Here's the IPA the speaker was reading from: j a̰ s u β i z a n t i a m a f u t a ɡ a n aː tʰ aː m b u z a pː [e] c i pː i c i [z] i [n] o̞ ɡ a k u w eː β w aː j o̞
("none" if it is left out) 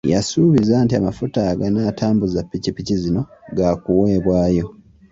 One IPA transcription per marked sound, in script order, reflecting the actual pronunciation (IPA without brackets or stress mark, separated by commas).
i, z, n